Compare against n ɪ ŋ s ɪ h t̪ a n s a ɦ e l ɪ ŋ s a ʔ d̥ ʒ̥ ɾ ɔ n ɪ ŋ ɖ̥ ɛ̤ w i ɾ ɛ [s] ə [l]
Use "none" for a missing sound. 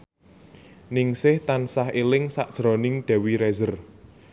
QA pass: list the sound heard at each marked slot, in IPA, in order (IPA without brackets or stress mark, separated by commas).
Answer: z, r